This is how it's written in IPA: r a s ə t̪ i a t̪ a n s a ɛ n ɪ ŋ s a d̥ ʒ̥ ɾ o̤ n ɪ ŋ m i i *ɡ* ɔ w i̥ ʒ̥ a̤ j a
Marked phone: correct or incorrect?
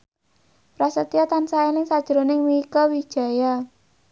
incorrect